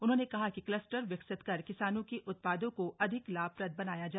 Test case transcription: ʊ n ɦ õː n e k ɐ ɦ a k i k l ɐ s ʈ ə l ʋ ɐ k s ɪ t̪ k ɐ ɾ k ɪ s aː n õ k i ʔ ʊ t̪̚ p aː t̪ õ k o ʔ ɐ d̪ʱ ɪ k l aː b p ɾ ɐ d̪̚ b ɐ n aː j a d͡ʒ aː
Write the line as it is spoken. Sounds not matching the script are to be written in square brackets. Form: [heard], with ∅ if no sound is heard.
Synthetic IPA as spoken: ʊ n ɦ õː n e k ɐ ɦ a k i k l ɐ s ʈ ə [ɾ] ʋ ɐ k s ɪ t̪ k ɐ ɾ k ɪ s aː n õ k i ʔ ʊ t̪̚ p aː [d̪] õ k o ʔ ɐ d̪ʱ ɪ k l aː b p ɾ ɐ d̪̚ b ɐ n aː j a d͡ʒ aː